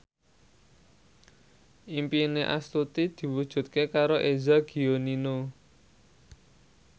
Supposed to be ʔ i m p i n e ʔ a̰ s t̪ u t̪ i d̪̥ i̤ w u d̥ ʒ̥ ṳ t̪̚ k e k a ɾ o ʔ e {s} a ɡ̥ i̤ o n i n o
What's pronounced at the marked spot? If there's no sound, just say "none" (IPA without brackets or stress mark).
z